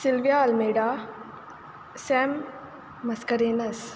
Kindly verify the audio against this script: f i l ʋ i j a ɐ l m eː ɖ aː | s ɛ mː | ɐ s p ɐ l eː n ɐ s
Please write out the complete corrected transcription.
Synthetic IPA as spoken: s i l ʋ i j a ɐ l m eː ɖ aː | s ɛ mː | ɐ s k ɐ ɾ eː n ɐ s